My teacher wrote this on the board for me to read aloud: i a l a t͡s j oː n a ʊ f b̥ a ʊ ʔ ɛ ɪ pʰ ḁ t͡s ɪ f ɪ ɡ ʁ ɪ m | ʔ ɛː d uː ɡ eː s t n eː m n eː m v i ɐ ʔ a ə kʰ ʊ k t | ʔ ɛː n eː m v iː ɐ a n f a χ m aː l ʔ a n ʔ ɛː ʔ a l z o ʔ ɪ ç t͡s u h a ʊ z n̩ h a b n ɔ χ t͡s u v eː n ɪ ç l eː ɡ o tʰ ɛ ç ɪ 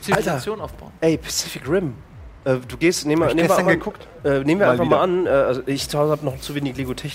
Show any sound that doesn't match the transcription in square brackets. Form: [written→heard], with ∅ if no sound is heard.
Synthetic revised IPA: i a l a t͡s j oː n a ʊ f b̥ a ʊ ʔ ɛ ɪ pʰ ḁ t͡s ɪ f ɪ [ɡ→k] ʁ ɪ m | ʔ ɛː d uː ɡ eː s t n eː m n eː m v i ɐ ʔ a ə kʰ ʊ k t | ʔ ɛː n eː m v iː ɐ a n f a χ m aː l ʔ a n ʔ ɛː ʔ a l z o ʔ ɪ ç t͡s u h a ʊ z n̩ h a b n ɔ χ t͡s u v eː n ɪ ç l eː ɡ o tʰ ɛ ç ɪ